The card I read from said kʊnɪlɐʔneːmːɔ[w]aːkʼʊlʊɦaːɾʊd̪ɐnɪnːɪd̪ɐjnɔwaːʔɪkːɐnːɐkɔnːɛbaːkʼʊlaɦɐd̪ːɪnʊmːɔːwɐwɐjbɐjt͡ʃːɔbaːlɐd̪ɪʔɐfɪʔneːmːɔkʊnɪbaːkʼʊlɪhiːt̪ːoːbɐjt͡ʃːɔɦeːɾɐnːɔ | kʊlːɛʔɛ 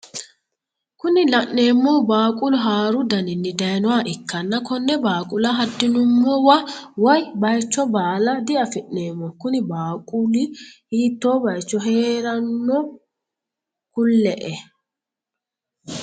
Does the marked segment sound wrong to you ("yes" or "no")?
yes